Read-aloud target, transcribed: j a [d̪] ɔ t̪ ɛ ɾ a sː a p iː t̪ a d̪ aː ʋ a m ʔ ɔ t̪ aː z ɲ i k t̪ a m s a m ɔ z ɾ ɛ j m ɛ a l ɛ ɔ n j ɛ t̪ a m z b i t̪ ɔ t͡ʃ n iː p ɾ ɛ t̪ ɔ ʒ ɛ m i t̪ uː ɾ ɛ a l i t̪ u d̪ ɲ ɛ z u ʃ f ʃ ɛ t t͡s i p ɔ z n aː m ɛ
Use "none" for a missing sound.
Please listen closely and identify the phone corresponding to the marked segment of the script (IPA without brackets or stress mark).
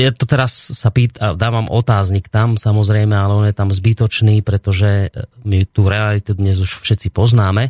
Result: t̪